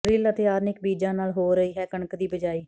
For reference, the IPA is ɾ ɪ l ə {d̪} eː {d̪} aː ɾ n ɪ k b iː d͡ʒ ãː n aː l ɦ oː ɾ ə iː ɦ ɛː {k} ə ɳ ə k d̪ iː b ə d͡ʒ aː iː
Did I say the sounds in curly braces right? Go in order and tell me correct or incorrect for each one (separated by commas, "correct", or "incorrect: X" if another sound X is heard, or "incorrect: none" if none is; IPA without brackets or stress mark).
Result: incorrect: t̪, incorrect: none, correct